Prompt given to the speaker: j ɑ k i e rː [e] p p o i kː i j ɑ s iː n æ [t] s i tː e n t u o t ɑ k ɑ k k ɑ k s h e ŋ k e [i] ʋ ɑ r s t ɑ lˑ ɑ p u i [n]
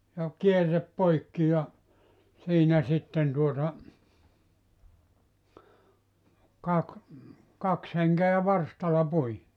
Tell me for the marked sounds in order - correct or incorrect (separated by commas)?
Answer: correct, incorrect, incorrect, incorrect